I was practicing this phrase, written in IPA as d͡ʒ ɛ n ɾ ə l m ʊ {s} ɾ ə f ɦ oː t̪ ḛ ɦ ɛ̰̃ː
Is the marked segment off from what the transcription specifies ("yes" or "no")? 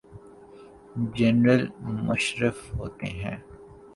yes